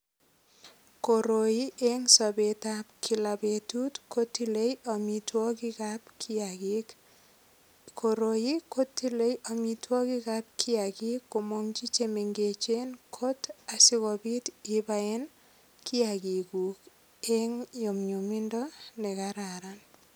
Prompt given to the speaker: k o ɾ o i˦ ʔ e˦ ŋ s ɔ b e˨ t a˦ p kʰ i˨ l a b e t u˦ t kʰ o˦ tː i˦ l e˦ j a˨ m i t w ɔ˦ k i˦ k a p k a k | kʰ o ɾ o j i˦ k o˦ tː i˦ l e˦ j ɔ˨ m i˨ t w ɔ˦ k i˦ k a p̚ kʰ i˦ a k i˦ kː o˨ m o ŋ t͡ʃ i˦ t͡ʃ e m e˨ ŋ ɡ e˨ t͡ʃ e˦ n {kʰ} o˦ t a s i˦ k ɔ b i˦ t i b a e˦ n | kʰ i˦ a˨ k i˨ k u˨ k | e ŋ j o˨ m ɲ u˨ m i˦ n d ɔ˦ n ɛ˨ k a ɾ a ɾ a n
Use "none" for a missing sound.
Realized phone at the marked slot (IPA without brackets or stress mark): kʰ